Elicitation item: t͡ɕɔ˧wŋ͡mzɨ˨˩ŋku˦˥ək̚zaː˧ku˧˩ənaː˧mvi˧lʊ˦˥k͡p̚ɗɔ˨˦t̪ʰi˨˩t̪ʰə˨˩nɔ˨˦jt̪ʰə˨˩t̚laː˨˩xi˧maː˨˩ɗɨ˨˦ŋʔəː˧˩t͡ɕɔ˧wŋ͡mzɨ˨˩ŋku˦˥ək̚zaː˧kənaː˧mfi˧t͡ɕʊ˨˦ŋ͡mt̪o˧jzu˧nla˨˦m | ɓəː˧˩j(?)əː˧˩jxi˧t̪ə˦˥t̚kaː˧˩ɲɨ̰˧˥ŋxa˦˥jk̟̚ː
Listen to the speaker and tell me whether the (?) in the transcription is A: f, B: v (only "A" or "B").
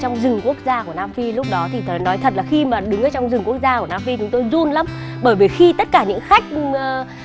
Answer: B